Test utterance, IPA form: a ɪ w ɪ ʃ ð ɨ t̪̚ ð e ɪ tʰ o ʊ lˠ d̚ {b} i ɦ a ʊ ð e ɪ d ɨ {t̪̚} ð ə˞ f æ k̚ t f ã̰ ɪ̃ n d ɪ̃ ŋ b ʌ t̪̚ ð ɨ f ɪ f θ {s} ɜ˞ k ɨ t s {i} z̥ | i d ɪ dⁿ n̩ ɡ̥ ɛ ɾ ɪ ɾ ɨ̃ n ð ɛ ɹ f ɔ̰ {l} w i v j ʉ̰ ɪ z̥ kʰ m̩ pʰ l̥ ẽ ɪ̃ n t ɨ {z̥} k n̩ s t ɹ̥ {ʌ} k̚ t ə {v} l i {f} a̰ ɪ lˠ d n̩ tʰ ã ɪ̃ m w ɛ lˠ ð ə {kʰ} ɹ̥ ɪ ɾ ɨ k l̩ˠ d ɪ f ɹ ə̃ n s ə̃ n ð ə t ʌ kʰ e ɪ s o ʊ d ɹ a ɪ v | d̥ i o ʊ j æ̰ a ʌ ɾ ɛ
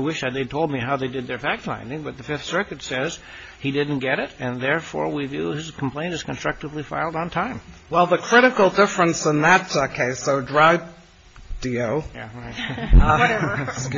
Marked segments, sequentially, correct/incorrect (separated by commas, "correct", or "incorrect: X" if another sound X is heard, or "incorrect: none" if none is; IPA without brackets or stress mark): incorrect: m, incorrect: d̪̚, correct, incorrect: ɛ, incorrect: ɹ, correct, correct, correct, correct, correct